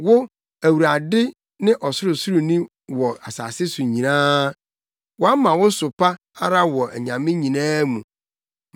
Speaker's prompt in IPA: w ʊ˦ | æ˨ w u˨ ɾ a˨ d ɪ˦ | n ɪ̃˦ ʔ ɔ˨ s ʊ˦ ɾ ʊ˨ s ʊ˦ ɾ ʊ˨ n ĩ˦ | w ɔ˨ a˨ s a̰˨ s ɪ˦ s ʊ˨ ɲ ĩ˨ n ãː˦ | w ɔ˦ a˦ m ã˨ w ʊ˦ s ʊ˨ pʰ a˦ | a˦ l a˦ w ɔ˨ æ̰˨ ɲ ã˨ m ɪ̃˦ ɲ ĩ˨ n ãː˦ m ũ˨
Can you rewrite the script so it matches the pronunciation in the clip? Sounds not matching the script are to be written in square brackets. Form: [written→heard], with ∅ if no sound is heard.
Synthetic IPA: w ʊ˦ | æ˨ w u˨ ɾ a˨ d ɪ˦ | n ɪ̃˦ ʔ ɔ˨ s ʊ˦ ɾ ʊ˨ s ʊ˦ ɾ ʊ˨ n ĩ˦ | w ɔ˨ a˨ s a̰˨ s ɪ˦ s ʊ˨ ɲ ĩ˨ n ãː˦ | w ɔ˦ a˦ m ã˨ w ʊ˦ s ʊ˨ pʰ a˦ | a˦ [l→ɾ] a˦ w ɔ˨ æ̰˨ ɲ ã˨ m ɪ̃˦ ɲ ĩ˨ n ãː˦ m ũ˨